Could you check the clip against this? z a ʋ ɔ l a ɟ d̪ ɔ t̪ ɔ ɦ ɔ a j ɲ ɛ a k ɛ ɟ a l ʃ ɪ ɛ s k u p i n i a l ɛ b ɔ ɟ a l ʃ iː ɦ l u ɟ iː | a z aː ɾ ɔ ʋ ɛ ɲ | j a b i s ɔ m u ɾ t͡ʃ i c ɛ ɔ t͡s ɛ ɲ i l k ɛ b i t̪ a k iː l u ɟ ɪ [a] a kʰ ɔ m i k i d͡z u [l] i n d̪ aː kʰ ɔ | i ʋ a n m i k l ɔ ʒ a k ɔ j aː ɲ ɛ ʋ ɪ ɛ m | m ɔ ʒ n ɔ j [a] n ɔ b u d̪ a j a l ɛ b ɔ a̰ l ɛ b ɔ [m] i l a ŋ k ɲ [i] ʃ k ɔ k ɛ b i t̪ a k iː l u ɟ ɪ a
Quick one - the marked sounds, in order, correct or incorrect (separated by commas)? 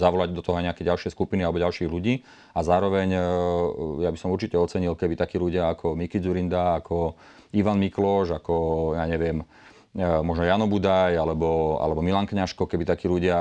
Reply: correct, incorrect, correct, correct, incorrect